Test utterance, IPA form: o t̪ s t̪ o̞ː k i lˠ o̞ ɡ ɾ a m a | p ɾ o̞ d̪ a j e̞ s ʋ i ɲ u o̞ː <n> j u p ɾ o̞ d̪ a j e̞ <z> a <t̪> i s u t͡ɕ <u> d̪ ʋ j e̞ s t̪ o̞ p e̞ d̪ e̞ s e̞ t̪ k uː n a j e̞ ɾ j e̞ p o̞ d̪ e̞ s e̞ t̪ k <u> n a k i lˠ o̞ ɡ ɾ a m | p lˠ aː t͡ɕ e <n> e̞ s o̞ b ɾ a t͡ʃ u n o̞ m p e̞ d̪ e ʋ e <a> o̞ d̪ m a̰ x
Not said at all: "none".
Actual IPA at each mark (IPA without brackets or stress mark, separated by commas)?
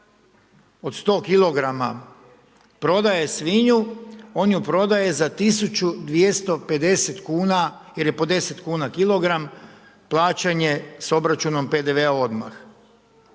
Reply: n, z, t̪, u, uː, ɲ, a